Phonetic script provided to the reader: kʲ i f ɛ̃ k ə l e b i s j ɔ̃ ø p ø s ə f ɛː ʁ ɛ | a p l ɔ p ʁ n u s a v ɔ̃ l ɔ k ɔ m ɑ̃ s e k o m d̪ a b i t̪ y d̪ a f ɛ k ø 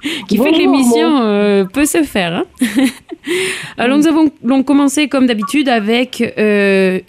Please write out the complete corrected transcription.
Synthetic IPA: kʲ i f ɛ k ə l e m i s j ɔ̃ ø p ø s ə f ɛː ʁ ɛ̃ | a l ɔ ʁ n u z a v ɔ̃ l ɔ̃ k ɔ m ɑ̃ s e k ɔ m d̪ a b i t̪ y d̪ a v ɛ k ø